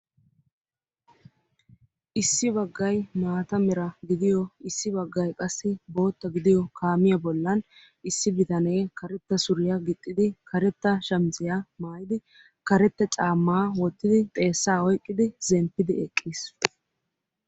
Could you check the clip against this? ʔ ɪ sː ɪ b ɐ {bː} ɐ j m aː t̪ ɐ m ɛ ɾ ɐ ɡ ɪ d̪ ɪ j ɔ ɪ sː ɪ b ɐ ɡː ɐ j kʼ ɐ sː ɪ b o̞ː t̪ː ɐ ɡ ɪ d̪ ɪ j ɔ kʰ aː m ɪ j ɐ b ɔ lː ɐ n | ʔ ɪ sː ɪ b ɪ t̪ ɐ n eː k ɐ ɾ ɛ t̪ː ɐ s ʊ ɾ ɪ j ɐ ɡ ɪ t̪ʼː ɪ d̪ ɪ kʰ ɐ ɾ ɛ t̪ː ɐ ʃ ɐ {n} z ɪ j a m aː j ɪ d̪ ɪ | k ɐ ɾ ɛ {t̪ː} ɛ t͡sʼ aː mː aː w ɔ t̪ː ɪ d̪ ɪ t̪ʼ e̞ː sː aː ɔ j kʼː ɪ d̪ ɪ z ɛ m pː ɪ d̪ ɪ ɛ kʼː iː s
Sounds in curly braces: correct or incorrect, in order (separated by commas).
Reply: incorrect, incorrect, correct